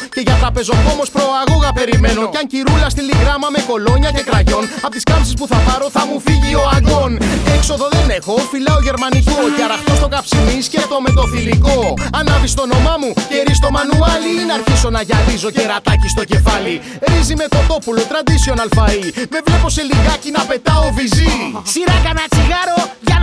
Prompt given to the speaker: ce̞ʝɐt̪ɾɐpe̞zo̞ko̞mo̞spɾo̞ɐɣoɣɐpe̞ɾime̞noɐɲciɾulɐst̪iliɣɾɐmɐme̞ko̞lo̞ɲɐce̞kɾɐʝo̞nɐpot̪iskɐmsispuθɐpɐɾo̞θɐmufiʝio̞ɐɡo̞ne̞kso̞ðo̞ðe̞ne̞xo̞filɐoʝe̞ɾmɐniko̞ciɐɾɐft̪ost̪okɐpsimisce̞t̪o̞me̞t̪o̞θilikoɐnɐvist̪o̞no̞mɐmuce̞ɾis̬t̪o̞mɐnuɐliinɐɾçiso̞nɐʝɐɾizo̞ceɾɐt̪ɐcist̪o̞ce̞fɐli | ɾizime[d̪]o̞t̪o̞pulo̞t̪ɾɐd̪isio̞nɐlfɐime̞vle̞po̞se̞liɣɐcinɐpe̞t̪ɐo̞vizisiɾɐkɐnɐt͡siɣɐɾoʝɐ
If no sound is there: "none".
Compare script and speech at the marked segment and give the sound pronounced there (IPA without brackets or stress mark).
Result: t̪